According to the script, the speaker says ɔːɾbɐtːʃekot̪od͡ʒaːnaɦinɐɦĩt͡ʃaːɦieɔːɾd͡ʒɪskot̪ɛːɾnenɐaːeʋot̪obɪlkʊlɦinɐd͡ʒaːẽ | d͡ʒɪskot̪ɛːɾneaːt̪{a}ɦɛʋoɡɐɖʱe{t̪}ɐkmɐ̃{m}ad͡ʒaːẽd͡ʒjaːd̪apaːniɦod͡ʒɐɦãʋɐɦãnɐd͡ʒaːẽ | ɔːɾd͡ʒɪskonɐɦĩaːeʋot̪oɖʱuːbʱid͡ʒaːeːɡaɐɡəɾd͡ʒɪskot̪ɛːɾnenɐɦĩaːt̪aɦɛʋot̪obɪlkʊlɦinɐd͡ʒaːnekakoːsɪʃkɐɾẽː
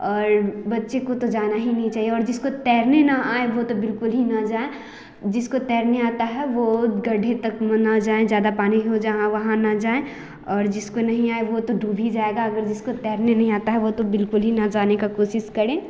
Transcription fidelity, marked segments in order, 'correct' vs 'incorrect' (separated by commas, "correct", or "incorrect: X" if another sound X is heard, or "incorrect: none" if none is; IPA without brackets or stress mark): correct, correct, incorrect: n